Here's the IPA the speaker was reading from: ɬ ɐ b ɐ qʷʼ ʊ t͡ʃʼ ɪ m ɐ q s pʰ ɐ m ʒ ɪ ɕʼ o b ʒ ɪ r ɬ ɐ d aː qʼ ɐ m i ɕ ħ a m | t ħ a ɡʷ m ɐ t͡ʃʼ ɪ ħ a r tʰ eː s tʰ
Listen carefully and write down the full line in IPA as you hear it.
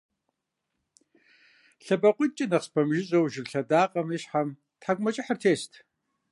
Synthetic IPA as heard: ɬ ɐ b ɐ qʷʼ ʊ t͡ʃʼ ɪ n ɐ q s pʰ ɐ m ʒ ɪ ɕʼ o w ʒ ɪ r ɬ ɐ d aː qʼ ɐ m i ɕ ħ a m | t ħ a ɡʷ m ɐ t͡ʃʼ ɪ ħ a r tʰ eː s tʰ